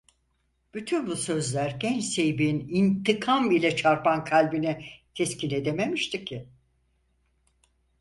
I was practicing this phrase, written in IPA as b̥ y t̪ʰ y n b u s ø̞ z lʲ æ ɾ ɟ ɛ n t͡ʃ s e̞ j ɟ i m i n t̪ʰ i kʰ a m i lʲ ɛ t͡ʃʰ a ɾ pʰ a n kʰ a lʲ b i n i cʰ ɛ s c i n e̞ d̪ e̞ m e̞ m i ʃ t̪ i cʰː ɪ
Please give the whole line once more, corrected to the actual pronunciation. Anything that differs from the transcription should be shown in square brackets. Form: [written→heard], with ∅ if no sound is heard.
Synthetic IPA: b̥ y t̪ʰ y n b u s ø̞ z lʲ æ ɾ ɟ ɛ n t͡ʃ s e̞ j [ɟ→b] i [m→n] i n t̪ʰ i kʰ a m i lʲ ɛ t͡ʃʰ a ɾ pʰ a n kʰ a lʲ b i n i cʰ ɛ s c i n e̞ d̪ e̞ m e̞ m i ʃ t̪ i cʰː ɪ